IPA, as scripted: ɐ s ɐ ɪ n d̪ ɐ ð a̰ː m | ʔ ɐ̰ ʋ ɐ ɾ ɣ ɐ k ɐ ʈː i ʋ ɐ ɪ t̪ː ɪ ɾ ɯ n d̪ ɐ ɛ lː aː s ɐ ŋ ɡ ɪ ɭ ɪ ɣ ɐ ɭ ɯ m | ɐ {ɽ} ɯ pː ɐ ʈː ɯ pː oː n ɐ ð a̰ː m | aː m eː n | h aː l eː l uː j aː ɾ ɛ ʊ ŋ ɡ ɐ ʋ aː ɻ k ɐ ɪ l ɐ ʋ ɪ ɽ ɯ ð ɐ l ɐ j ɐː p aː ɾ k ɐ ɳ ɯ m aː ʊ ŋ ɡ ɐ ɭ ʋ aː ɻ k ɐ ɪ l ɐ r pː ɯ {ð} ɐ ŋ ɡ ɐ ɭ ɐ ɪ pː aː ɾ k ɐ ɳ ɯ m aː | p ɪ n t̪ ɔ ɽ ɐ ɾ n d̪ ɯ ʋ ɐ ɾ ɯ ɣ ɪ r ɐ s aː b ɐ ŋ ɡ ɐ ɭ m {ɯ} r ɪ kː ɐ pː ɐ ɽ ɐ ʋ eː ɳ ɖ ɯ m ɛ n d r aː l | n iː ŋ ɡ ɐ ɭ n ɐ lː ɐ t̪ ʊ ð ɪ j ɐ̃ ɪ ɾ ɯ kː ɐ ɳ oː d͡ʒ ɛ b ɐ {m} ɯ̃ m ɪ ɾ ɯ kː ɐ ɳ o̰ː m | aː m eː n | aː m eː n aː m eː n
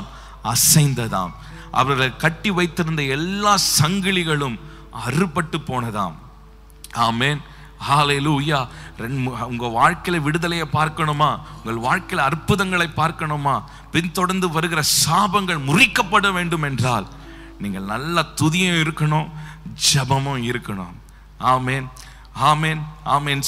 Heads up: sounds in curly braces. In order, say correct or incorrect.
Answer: incorrect, correct, incorrect, correct

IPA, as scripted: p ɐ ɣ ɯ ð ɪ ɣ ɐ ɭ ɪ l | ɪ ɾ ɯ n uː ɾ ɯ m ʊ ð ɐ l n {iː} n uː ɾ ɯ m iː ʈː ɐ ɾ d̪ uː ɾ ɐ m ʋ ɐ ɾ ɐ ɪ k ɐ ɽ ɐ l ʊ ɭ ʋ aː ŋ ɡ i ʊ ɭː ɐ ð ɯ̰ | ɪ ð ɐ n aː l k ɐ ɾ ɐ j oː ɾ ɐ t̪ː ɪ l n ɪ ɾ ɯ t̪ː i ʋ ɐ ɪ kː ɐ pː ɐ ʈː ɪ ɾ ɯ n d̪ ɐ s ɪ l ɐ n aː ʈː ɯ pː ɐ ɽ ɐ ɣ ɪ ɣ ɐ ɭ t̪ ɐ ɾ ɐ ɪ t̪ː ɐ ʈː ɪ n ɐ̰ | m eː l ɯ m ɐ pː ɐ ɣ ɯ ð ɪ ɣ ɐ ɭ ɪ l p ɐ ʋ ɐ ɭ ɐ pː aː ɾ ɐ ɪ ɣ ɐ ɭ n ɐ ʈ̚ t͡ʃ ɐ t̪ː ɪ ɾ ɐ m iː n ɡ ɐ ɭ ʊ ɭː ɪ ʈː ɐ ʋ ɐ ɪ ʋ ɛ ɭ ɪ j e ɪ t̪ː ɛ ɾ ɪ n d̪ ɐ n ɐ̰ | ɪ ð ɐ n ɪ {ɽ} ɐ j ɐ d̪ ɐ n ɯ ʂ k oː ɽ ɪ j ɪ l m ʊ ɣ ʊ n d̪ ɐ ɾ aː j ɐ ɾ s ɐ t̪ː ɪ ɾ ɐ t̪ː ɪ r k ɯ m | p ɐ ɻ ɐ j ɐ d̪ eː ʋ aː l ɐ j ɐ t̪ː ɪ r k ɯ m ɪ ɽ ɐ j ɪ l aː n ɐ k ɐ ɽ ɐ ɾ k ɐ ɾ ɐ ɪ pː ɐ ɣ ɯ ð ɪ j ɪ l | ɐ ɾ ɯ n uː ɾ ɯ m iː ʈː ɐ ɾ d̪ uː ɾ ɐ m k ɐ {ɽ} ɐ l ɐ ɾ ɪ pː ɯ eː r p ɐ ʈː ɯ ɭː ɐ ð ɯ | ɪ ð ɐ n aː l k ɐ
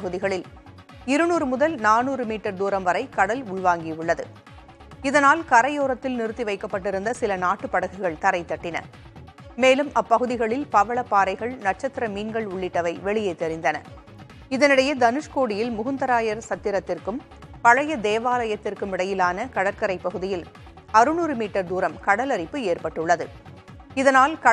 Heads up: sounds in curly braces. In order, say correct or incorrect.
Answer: incorrect, correct, correct

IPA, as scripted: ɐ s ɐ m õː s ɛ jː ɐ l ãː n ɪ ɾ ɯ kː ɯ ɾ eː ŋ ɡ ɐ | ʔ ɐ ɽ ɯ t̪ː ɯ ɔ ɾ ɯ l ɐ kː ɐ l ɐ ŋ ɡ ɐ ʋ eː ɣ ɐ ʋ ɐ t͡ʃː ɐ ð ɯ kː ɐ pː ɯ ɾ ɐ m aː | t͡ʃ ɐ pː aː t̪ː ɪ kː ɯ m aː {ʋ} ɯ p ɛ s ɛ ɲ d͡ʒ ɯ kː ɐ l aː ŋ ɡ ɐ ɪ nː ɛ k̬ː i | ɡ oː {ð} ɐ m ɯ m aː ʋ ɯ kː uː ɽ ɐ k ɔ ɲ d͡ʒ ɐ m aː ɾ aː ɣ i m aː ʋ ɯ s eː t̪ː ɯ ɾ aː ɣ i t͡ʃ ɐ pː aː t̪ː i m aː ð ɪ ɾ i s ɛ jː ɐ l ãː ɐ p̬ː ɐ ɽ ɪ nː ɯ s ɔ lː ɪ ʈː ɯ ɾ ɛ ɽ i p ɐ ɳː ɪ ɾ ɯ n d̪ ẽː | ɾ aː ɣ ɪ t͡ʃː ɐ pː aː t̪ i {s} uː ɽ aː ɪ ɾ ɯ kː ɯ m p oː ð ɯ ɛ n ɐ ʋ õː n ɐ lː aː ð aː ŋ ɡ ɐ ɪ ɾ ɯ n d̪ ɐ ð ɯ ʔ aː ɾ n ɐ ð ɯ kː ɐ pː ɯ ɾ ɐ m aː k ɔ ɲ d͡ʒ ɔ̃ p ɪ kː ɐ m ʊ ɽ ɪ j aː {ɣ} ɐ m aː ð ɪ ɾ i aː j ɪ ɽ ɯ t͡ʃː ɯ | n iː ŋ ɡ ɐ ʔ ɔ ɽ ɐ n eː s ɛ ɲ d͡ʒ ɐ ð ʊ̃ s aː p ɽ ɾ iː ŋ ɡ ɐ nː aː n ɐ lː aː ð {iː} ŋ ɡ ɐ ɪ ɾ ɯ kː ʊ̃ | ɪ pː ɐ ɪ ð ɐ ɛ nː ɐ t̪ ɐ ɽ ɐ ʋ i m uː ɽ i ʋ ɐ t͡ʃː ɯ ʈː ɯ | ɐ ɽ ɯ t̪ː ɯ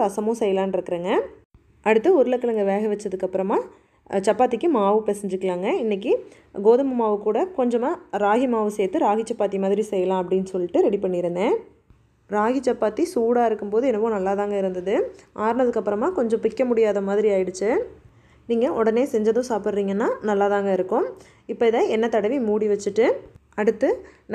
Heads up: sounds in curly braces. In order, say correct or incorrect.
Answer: correct, correct, correct, incorrect, incorrect

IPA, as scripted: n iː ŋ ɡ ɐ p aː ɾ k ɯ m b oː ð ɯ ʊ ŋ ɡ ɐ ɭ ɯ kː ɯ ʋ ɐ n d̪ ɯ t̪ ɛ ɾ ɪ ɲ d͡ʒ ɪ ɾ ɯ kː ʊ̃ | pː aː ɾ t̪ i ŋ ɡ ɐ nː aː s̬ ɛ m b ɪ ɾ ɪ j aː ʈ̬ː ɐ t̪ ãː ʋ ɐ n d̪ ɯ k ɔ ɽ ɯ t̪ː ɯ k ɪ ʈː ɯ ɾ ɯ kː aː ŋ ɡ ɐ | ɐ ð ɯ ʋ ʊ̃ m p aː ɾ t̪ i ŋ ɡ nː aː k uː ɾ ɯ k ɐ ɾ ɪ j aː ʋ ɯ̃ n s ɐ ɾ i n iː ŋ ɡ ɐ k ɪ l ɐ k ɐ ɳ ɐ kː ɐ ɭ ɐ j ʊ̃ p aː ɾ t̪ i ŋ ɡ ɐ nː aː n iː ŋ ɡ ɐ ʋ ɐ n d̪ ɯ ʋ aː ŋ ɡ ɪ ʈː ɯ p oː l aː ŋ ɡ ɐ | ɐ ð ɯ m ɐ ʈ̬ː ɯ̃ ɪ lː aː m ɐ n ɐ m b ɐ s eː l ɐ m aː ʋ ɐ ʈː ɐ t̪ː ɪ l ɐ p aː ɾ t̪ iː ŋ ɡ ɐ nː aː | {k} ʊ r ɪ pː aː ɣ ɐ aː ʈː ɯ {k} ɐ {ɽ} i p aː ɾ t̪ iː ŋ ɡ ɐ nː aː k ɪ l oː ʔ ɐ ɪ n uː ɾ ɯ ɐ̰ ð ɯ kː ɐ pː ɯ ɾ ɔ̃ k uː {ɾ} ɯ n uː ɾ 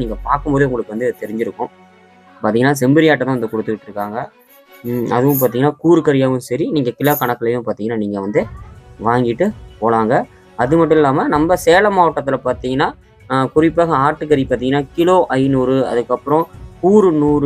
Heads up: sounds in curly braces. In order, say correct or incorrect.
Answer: correct, correct, incorrect, correct

